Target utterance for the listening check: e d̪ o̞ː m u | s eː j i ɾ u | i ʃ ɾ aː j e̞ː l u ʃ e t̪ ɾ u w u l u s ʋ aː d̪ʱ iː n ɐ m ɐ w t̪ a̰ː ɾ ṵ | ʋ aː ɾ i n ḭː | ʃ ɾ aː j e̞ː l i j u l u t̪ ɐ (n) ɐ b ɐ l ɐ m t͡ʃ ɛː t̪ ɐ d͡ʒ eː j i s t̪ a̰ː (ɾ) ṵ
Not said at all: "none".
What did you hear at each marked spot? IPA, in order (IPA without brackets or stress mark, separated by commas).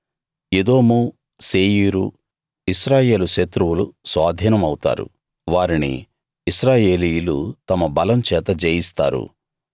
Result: m, ɾ